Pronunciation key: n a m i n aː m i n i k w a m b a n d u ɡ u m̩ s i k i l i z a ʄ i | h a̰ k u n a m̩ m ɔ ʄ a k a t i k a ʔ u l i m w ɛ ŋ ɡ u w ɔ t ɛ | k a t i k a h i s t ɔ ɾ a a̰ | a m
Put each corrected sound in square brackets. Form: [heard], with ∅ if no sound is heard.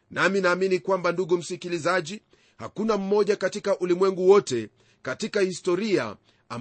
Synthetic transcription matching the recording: n a m i n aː m i n i k w a m b a n d u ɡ u m̩ s i k i l i z a ʄ i | h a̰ k u n a m̩ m ɔ ʄ a k a t i k a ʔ u l i m w ɛ ŋ ɡ u w ɔ t ɛ | k a t i k a h i s t ɔ ɾ [i] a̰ | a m